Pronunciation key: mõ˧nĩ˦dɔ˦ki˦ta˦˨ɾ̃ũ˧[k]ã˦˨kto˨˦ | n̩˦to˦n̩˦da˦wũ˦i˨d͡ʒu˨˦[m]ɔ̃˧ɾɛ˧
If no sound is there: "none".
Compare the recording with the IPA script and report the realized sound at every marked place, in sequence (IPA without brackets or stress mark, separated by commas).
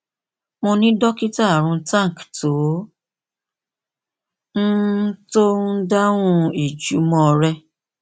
t, m